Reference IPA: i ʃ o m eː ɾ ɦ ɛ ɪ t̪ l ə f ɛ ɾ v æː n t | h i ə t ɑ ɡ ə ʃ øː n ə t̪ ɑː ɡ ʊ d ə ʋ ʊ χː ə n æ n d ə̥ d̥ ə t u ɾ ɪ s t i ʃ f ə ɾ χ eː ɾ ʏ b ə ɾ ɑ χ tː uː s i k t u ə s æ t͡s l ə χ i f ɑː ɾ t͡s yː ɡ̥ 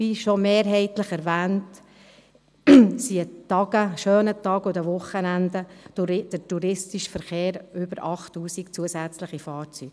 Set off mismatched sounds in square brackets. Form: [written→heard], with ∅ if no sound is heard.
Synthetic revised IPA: i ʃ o m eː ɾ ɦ ɛ ɪ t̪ l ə [f→χ] ɛ ɾ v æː n t | [h→s] i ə t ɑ ɡ ə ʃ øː n ə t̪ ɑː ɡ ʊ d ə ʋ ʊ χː ə n æ n d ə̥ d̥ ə t u ɾ ɪ s t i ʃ f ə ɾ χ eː ɾ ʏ b ə ɾ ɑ χ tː uː s i k [t→t͡s] u ə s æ t͡s l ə χ i f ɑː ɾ t͡s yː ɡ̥